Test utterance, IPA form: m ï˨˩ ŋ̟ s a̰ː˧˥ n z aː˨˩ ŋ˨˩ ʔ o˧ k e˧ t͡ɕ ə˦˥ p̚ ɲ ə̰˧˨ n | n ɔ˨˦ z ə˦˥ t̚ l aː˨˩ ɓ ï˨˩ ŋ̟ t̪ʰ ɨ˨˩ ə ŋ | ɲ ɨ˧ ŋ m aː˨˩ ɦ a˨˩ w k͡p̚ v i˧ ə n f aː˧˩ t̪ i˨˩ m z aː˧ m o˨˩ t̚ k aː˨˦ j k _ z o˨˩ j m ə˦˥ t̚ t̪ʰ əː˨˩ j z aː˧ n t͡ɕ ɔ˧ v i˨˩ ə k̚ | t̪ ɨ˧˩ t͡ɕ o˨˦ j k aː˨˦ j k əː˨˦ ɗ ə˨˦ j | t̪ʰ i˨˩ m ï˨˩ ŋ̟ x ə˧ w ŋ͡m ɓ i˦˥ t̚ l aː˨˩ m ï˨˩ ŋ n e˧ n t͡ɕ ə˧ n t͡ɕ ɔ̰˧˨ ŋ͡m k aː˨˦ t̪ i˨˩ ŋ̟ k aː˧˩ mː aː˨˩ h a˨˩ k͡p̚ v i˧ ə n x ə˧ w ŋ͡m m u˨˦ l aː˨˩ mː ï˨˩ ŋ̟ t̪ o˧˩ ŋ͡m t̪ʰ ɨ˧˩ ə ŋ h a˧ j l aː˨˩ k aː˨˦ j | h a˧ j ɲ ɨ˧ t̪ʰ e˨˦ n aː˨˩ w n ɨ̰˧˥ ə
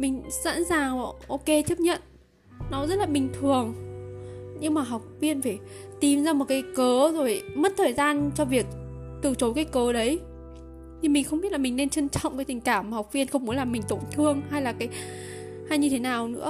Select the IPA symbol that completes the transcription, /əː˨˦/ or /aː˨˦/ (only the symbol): əː˨˦